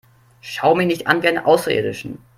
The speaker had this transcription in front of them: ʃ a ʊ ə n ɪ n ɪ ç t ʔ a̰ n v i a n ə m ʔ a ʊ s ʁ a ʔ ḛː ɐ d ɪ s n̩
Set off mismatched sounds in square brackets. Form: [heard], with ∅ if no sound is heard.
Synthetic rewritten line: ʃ a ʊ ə [m] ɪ n ɪ ç t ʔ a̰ n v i a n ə [∅] ʔ a ʊ s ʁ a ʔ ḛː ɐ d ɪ [ʃ] n̩